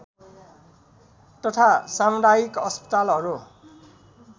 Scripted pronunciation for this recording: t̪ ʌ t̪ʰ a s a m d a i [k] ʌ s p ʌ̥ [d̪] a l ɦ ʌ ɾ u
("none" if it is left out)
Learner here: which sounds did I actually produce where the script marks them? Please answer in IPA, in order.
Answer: k, t̪

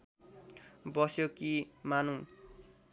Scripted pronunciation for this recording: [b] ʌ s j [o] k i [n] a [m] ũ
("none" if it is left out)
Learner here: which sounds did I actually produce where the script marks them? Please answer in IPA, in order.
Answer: b, o, m, n

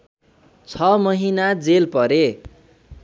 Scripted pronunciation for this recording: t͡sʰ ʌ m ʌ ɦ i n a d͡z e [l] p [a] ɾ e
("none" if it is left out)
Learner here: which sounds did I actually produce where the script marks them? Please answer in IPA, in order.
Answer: l, ʌ

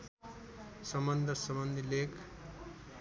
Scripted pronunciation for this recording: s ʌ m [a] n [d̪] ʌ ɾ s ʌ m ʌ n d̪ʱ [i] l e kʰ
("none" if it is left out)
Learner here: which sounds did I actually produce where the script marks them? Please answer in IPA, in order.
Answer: ʌ, d̪, i

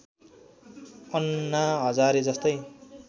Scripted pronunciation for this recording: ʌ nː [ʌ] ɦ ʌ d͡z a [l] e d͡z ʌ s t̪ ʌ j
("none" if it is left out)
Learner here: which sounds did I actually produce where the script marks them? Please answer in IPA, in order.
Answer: a, ɾ

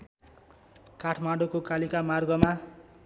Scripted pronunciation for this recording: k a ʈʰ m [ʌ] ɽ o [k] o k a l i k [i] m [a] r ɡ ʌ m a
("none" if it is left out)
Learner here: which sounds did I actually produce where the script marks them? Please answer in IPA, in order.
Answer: a, k, a, a

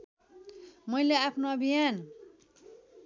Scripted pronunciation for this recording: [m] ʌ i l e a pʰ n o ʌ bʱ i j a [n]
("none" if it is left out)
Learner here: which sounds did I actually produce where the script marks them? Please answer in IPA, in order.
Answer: m, n

